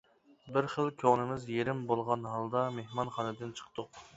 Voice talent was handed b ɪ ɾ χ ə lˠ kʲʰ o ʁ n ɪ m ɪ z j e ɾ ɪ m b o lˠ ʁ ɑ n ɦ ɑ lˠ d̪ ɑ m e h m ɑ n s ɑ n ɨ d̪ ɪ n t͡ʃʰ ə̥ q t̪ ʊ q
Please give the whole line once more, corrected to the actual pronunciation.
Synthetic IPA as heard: b ɪ ɾ χ ə lˠ kʲʰ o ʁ n ɪ m ɪ z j e ɾ ɪ m b o lˠ ʁ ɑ n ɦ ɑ lˠ d̪ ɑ m e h m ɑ n χ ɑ n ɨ d̪ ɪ n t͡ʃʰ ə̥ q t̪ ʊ q